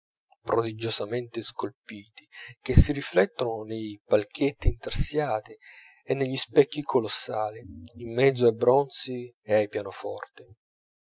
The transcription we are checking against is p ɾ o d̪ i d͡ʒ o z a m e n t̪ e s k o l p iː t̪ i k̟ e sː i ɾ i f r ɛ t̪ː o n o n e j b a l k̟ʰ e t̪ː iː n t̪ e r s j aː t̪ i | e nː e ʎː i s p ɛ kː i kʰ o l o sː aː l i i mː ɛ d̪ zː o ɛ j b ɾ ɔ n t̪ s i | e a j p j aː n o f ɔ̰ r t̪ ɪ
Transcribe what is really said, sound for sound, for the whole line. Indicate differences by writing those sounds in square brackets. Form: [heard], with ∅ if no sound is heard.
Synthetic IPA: p ɾ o d̪ i d͡ʒ o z a m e n t̪ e s k o l p iː t̪ i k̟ e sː i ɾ i f [l] ɛ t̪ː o n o n e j [p] a l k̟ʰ e t̪ː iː n t̪ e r s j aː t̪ i | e nː e ʎː i s p ɛ kː i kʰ o l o sː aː l i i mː ɛ d̪ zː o [a] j b ɾ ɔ n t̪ s i | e a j p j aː n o f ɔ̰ r t̪ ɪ